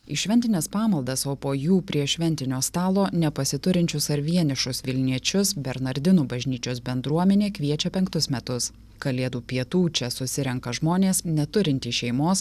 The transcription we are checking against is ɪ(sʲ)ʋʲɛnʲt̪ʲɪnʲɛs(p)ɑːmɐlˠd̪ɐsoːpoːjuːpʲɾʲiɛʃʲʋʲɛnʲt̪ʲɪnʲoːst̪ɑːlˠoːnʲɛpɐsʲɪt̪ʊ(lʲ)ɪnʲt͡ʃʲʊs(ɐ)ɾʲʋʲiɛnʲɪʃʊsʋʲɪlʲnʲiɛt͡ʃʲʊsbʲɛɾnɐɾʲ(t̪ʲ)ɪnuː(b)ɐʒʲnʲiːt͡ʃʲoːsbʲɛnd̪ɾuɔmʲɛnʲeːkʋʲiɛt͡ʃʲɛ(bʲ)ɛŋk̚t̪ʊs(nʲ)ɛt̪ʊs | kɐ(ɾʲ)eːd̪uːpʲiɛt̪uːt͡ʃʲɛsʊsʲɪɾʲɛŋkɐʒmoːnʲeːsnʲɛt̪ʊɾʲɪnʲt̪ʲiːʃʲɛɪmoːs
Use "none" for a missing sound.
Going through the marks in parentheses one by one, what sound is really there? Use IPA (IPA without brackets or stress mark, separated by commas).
ʃʲ, p, ɾʲ, ɐ, d̪ʲ, b, pʲ, mʲ, lʲ